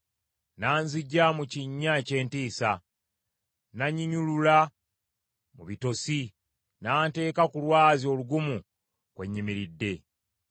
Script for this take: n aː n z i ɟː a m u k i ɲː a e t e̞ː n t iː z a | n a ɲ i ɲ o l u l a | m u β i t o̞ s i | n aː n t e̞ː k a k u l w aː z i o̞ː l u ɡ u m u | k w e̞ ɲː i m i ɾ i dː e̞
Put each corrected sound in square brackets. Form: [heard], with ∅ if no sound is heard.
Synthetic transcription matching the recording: n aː n z i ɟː a m u [c] i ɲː a e [c] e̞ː n t iː [s] a | n a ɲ i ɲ [u] l u l a | m u β i t o̞ s i | n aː n t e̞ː k a k u l w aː z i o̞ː l u ɡ u m u | k w e̞ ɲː i m i ɾ i dː e̞